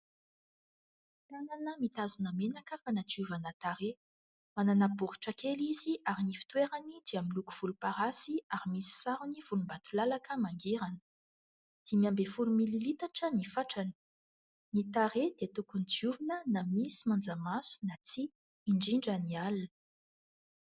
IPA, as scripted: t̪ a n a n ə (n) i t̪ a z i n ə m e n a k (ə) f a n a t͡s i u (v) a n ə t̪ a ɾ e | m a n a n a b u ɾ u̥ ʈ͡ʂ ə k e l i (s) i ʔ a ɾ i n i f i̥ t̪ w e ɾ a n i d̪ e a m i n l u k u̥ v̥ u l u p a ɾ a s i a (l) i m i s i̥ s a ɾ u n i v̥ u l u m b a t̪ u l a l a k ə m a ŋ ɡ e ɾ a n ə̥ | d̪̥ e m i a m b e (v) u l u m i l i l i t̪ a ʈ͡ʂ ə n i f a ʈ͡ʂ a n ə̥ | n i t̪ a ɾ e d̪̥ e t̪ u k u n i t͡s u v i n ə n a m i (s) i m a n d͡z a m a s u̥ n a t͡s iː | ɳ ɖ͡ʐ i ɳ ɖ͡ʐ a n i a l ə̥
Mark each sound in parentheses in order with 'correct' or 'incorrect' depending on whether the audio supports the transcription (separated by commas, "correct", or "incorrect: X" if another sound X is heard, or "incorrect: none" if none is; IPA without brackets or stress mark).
incorrect: m, correct, correct, incorrect: z, incorrect: ɾ, incorrect: f, correct